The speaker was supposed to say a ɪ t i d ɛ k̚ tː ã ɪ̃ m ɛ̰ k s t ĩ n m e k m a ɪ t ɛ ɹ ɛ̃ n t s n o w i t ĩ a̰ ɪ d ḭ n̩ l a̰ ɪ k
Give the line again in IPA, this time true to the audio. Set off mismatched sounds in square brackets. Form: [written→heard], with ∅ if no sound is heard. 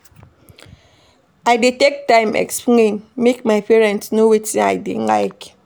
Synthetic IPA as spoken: a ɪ [t→d] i [d→t] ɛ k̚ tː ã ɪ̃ m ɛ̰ k s [t→p] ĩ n m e k m a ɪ [t→p] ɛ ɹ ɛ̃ n t s n o w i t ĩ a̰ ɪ d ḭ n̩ l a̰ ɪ k

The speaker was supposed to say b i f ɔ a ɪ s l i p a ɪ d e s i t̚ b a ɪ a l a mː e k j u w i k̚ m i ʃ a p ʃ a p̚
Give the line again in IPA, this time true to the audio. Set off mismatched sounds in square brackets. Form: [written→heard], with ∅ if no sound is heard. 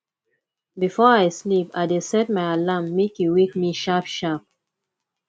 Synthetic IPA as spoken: b i f ɔ a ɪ s l i p a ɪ d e s [i→ɛ] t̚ [b→m] a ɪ a l a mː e k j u w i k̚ m i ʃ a p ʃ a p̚

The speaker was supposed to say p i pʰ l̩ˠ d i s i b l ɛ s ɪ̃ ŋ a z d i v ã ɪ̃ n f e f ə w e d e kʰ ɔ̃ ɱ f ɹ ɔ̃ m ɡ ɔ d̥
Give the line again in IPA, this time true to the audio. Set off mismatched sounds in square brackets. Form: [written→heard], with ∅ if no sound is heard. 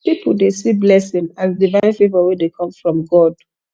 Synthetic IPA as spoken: p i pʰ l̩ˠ d [i→e] s i b l ɛ s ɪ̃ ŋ a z d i v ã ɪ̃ n f e [f→v] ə w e d e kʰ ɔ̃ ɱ f ɹ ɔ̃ m ɡ ɔ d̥

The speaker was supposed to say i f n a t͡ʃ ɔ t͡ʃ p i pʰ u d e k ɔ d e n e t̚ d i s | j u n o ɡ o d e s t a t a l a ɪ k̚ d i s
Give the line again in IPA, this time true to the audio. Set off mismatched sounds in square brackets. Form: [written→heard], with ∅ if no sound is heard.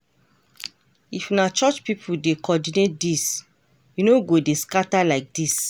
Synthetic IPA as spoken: i f n a t͡ʃ ɔ t͡ʃ p i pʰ u d e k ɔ d [e→i] n e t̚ d i s | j u n o ɡ o d e s [t→k] a t a l a ɪ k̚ d i s

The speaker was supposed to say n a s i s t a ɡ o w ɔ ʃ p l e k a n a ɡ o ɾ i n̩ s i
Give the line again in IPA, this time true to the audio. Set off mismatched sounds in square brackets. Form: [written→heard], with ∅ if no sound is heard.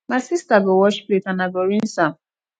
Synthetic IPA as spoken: [n→m] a s i s t a ɡ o w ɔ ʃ p l e [k→t] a n a ɡ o ɾ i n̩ s [i→a]

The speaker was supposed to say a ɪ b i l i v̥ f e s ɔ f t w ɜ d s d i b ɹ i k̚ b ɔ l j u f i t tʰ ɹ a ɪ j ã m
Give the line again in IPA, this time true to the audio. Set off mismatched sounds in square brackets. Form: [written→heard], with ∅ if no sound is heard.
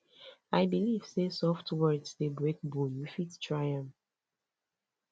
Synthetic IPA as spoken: a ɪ b i l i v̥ [f→s] e s ɔ f t w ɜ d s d [i→e] b ɹ [i→e] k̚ b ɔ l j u f i t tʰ ɹ a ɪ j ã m

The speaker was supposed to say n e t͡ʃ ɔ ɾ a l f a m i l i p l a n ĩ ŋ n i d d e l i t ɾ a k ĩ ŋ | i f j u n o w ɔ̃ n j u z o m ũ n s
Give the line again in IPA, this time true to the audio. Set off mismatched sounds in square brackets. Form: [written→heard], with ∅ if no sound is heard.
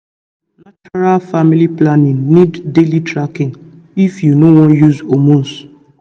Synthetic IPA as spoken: n [e→a] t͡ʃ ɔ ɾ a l f a m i l i p l a n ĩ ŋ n i d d e l i t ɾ a k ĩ ŋ | i f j u n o w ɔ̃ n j u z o m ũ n s

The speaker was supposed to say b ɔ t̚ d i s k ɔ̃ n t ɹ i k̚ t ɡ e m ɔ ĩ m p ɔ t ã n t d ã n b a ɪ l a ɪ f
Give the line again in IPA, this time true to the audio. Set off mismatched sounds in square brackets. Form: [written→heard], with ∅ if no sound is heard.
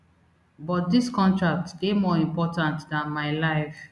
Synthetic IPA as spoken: b ɔ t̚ d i s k ɔ̃ n t ɹ [i→a] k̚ t ɡ e m ɔ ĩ m p ɔ t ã n t d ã n [b→m] a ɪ l a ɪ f

